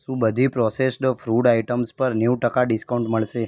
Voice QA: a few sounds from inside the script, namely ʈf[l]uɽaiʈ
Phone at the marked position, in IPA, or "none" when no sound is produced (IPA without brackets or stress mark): ɾ